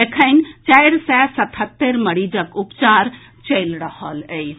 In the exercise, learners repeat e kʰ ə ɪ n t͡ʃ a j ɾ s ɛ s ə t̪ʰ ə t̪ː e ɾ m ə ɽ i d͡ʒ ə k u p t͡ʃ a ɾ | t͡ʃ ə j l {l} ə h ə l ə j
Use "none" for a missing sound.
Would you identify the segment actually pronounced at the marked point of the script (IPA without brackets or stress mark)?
ɾ